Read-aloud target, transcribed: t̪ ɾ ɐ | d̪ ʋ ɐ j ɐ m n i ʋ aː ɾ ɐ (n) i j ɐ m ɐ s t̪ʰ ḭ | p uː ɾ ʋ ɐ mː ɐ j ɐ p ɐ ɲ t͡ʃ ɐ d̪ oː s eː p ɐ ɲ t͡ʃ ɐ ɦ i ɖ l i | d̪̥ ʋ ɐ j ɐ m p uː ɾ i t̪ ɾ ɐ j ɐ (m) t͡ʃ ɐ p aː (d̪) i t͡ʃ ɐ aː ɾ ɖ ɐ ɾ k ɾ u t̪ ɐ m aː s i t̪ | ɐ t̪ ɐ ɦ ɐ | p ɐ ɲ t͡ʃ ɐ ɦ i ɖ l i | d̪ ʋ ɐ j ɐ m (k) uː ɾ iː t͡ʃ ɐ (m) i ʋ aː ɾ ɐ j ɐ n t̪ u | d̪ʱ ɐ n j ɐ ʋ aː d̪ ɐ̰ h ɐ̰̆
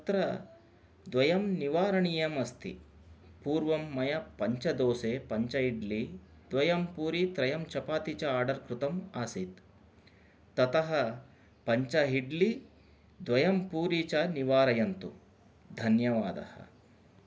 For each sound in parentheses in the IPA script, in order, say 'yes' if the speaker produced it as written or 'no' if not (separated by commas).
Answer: no, yes, no, no, no